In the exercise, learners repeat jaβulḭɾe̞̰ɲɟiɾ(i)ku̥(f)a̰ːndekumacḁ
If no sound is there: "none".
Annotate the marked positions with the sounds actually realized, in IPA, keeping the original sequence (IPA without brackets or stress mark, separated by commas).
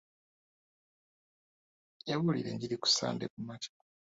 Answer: i, s